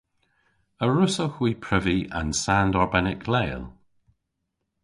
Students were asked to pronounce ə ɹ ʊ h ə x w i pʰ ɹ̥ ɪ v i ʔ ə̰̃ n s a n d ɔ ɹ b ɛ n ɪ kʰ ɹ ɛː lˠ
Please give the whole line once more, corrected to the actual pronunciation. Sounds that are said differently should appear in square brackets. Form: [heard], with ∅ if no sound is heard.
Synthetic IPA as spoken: ə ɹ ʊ [s] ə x w i pʰ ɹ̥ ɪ v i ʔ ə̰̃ n s a n d ɔ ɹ b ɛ n ɪ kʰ [l] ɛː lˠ